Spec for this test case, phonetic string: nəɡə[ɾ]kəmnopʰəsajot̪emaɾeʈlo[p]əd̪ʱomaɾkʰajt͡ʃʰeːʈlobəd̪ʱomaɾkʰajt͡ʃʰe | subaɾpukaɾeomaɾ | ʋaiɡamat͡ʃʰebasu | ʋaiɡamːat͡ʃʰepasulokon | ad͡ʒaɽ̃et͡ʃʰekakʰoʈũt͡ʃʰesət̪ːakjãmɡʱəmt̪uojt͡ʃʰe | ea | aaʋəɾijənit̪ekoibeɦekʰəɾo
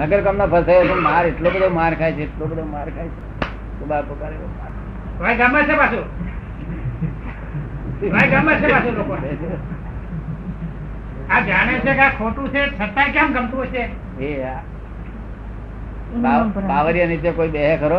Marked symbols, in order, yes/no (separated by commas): yes, no